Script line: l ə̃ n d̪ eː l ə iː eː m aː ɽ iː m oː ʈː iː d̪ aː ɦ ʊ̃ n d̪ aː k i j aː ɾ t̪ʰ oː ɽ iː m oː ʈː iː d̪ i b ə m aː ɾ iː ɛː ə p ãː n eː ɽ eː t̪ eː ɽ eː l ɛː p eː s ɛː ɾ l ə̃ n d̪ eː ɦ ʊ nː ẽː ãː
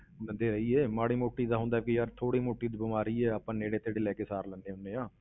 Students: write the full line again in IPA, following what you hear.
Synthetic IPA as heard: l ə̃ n d̪ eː ɾ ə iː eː m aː ɽ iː m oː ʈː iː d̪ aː ɦ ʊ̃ n d̪ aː k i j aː ɾ t̪ʰ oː ɽ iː m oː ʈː iː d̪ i b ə m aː ɾ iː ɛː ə p ãː n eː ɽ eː t̪ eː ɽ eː l ɛː k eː s aː ɾ l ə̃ n d̪ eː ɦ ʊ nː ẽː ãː